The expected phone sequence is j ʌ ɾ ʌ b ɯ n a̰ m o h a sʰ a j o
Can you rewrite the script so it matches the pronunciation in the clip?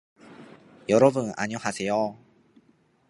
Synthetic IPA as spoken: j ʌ ɾ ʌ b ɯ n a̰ ɲ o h a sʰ e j o